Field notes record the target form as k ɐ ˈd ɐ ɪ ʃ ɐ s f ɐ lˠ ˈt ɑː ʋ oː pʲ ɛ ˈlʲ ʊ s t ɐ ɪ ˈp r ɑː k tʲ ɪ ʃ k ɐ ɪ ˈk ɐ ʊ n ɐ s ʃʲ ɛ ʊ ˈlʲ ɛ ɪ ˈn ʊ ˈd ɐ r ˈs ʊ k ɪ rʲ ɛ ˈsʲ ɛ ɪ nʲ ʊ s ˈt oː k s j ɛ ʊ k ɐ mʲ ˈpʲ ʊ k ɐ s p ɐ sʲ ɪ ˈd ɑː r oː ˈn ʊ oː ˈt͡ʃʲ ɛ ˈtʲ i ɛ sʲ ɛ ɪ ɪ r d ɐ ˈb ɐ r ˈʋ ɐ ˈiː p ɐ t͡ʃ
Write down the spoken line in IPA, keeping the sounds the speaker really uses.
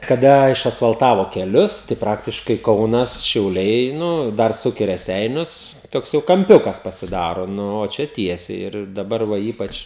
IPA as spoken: k ɐ ˈd ɐ ɪ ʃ ɐ s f ɐ lˠ ˈt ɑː ʋ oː kʲ ɛ ˈlʲ ʊ s t ɐ ɪ ˈp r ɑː k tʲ ɪ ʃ k ɐ ɪ ˈk ɐ ʊ n ɐ s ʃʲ ɛ ʊ ˈlʲ ɛ ɪ ˈn ʊ ˈd ɐ r ˈs ʊ k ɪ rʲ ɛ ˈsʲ ɛ ɪ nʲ ʊ s ˈt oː k s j ɛ ʊ k ɐ mʲ ˈpʲ ʊ k ɐ s p ɐ sʲ ɪ ˈd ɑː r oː ˈn ʊ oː ˈt͡ʃʲ ɛ ˈtʲ i ɛ sʲ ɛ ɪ ɪ r d ɐ ˈb ɐ r ˈʋ ɐ ˈiː p ɐ t͡ʃ